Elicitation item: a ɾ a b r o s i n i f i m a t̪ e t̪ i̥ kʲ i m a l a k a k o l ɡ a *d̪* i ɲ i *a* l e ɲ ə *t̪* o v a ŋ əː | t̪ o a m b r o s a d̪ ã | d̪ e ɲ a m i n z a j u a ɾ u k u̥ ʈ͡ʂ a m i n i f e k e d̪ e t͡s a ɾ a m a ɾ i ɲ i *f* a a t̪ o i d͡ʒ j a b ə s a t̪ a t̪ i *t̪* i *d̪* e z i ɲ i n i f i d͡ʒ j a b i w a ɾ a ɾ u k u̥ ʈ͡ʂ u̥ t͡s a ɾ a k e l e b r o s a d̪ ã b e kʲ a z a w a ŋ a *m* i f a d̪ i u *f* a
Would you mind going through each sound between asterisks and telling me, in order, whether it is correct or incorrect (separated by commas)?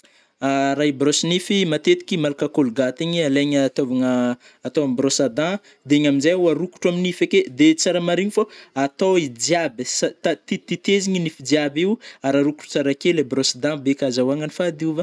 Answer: incorrect, correct, correct, correct, correct, incorrect, incorrect, incorrect